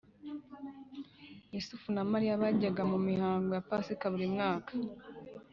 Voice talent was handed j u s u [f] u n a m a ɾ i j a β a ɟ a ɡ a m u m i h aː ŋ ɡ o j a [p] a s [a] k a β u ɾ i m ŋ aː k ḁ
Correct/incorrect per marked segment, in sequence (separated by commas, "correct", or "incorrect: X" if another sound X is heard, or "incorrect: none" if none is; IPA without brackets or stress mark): correct, correct, incorrect: i